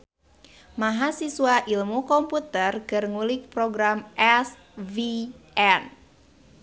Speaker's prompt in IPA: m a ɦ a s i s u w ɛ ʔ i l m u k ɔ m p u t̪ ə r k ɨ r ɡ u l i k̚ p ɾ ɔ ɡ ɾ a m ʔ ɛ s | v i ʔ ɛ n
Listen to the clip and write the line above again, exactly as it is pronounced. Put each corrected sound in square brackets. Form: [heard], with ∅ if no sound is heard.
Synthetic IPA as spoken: m a ɦ a s i s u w [a] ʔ i l m u k ɔ m p u t̪ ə r k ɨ r [ŋ] u l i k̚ p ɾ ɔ ɡ ɾ a m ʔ ɛ s | v i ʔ ɛ n